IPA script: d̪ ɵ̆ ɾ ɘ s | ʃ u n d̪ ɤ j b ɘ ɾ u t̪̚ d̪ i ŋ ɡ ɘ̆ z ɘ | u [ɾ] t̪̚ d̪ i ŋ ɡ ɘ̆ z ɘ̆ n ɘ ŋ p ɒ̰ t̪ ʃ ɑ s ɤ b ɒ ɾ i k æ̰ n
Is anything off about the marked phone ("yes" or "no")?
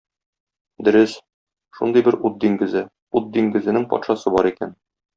yes